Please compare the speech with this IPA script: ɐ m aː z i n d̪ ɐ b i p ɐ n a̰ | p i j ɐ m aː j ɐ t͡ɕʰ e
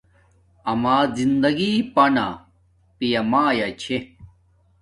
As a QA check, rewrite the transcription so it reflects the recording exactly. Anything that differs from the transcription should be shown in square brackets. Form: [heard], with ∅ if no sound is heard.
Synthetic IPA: ɐ m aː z i n d̪ ɐ [ɡ] i p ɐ n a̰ | p i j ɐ m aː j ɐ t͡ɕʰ e